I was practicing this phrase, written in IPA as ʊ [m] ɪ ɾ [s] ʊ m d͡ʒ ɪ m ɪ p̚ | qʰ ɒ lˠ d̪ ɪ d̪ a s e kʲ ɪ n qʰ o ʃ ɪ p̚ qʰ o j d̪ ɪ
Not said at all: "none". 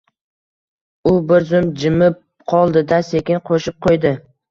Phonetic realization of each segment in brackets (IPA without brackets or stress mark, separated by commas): b, z